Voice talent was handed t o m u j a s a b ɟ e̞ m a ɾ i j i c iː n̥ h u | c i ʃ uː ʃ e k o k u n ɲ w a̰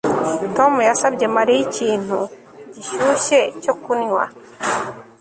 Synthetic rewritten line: t o m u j a s a b ɟ e̞ m a ɾ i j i c iː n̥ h u | ɟ i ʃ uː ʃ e c o k u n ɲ w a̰